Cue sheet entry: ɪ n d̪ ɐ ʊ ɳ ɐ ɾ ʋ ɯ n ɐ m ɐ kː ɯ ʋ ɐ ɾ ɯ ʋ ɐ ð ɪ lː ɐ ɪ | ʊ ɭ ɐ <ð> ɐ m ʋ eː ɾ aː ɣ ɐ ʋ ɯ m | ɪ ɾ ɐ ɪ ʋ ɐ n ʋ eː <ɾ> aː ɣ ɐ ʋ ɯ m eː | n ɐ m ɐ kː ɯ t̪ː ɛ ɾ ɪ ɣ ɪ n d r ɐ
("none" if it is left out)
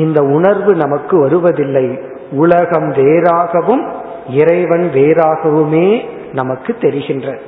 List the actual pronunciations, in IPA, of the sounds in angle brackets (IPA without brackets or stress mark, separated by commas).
ɣ, ɾ